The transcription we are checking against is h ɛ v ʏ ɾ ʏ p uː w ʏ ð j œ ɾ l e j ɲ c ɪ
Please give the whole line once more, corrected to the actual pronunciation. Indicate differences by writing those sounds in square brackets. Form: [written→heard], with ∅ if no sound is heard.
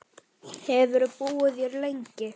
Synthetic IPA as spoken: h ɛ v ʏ ɾ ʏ p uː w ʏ ð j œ ɾ l e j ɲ c ɪ